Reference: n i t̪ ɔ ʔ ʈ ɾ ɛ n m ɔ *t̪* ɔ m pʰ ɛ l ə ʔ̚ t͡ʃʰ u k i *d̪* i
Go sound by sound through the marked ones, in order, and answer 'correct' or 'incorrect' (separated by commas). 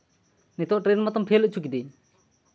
correct, correct